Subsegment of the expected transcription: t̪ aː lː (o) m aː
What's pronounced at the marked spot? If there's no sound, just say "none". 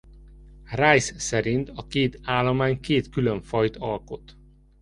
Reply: o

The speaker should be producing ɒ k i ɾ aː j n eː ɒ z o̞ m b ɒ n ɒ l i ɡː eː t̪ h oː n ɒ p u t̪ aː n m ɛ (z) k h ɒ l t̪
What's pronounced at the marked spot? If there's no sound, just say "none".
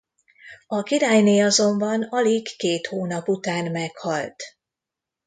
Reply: none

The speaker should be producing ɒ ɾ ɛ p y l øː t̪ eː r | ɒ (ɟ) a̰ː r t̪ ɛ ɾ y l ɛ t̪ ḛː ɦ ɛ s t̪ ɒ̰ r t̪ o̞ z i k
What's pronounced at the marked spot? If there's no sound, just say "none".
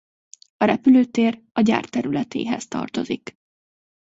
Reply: ɟ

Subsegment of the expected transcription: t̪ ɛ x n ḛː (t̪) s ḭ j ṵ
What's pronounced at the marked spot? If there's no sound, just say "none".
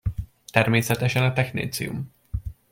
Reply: t̪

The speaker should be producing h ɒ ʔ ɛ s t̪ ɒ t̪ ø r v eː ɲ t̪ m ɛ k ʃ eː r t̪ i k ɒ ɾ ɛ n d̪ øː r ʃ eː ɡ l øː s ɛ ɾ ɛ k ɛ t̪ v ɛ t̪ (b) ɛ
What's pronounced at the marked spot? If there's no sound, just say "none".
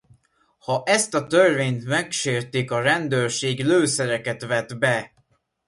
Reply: b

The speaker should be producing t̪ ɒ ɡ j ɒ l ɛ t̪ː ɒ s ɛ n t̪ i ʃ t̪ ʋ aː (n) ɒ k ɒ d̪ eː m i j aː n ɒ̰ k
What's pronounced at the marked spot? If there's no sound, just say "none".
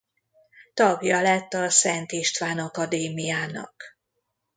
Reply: n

